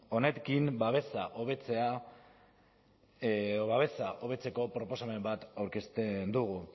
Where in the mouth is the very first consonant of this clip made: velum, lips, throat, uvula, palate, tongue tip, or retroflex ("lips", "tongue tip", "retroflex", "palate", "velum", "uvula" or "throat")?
tongue tip